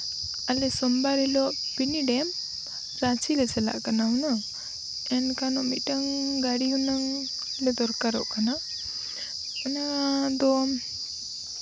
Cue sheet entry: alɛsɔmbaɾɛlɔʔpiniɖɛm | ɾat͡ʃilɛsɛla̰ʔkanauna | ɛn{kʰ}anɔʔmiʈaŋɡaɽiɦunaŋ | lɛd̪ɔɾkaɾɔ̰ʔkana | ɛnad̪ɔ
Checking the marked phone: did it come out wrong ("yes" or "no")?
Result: yes